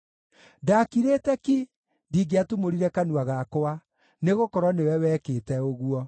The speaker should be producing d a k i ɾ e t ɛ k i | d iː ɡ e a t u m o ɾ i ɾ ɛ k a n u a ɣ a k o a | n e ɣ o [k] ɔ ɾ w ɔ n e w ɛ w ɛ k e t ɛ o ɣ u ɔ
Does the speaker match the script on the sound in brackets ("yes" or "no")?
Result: yes